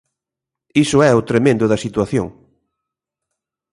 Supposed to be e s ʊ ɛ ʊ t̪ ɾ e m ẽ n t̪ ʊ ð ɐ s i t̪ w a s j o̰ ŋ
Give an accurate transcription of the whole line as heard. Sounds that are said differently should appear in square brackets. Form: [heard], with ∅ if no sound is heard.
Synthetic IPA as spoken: [i] s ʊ ɛ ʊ t̪ ɾ e m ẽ n [d̪] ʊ ð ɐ s i t̪ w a [θ] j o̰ ŋ